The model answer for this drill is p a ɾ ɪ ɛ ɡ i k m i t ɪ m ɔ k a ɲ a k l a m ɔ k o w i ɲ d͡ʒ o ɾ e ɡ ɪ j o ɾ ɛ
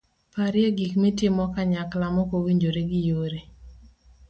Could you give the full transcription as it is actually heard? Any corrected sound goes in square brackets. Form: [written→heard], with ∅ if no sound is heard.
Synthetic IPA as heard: p a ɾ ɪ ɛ ɡ i k m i t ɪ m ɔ k a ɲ a k l a m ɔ k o w i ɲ d͡ʒ o ɾ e ɡ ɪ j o ɾ [ɛ→e]